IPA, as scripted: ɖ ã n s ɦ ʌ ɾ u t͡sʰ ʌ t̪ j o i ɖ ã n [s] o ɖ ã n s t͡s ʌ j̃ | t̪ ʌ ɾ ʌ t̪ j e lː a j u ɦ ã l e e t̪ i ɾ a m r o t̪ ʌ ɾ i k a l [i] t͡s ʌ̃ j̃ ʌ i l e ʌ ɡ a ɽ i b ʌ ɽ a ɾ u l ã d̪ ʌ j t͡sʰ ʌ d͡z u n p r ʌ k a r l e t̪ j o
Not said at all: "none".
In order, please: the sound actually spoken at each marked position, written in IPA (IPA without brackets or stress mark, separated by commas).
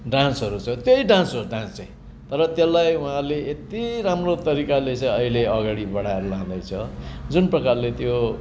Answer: s, e